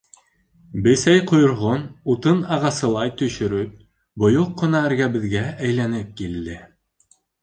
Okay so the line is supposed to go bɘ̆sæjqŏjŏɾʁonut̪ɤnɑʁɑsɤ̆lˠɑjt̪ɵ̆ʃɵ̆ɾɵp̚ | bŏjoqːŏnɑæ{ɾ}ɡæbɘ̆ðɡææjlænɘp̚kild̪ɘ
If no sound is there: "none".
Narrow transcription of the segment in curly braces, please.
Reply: ɾ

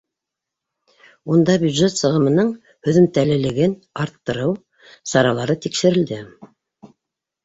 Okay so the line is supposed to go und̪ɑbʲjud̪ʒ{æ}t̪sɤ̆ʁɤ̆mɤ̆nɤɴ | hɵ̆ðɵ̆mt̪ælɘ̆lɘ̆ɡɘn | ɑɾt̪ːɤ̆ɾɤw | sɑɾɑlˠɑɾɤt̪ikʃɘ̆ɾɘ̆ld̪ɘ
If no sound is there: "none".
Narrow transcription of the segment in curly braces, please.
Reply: e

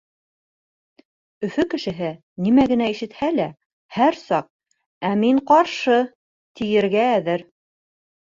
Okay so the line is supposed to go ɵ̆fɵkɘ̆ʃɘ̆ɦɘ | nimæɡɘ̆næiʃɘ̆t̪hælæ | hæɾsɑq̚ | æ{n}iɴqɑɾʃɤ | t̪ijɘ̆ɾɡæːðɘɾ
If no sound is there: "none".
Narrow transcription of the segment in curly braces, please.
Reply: m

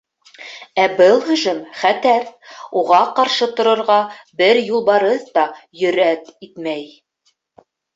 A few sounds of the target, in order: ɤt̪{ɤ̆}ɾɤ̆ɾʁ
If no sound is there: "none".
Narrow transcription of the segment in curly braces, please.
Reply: ŏ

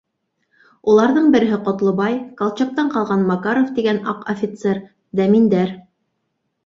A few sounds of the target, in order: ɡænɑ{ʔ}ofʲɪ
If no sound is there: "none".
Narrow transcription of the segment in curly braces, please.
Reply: q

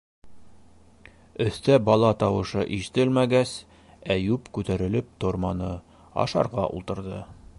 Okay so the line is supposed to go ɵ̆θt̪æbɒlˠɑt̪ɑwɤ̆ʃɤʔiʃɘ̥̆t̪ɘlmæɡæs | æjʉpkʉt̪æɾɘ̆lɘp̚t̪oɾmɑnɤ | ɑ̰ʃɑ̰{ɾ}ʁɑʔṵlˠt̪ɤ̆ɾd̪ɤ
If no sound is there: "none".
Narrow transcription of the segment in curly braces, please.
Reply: ɾ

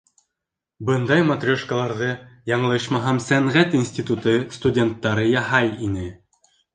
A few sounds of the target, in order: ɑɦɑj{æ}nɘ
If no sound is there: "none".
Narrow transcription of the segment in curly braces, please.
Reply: i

